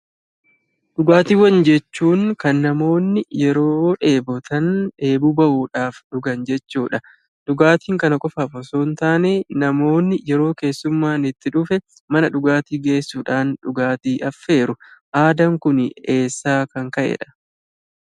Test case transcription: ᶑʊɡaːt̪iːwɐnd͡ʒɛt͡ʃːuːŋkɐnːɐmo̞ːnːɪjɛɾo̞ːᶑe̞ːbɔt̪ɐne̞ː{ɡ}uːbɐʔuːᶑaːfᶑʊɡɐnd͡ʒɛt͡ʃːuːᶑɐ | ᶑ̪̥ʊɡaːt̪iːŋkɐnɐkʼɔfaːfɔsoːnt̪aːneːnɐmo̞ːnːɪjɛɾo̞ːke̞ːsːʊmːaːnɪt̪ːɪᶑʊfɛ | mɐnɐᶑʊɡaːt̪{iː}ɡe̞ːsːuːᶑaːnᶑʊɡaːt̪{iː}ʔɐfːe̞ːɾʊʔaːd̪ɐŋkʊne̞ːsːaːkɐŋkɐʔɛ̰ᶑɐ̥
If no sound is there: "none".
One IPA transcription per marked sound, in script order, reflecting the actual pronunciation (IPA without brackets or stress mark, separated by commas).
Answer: b, iː, iː